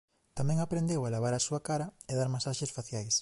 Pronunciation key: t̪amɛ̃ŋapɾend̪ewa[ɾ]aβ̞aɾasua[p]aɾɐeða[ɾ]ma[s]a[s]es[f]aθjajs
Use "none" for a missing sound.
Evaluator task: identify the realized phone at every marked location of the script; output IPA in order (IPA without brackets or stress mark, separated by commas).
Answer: l, k, ɾ, s, ʃ, f